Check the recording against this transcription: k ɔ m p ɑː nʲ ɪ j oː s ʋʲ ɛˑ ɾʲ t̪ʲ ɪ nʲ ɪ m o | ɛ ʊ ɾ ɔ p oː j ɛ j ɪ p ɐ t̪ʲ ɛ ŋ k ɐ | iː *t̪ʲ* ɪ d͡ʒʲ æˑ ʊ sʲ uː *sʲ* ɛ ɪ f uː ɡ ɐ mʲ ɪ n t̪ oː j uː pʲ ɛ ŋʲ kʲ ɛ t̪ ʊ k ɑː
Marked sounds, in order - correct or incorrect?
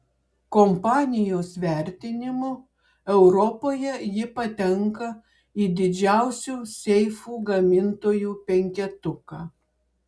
incorrect: d̪ʲ, correct

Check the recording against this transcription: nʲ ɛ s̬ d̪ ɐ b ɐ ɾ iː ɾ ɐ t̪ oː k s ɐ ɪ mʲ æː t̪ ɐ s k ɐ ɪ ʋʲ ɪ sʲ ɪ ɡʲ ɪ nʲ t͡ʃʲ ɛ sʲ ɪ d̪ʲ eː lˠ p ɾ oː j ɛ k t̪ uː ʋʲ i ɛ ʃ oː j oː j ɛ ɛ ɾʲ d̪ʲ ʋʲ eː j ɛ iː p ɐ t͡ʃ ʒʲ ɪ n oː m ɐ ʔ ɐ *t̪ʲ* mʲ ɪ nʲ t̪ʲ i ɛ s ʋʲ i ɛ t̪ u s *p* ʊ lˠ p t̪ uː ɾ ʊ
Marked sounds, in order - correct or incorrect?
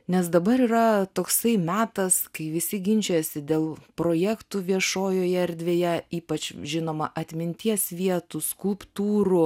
correct, incorrect: k

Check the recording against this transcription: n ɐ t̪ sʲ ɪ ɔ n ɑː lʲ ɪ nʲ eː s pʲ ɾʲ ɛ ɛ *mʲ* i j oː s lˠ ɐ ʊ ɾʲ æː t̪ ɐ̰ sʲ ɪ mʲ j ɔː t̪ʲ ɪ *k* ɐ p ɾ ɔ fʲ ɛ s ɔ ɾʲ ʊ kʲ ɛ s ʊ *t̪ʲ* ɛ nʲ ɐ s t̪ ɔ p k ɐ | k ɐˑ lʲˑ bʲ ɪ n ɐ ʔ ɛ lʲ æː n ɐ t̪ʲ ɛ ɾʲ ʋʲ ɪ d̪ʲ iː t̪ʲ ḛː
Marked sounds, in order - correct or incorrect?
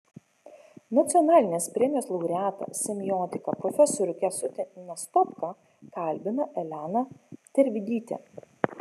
correct, correct, correct

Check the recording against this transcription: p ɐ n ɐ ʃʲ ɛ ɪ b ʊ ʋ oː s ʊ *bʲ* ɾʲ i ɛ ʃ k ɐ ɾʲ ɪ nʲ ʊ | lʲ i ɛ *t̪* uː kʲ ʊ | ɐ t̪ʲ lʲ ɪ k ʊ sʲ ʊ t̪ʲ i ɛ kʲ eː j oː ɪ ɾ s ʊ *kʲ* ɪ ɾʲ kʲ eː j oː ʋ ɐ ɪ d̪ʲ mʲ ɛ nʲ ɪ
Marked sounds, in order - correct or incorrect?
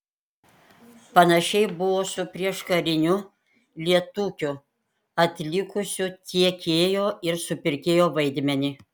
incorrect: pʲ, correct, incorrect: pʲ

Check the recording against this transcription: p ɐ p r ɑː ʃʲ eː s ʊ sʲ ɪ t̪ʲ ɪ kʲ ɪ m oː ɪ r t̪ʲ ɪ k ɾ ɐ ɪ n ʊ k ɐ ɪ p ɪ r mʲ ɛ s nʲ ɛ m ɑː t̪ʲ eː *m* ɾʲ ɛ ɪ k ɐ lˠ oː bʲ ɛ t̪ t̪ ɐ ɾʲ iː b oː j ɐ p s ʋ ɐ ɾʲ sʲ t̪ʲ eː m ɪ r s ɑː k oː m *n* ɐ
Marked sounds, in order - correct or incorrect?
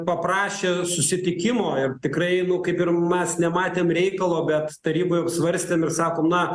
correct, correct

